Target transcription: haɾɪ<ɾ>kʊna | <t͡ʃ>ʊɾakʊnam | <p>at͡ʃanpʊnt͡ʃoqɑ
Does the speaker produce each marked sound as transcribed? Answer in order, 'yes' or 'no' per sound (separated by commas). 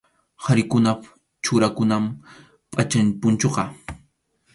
no, yes, no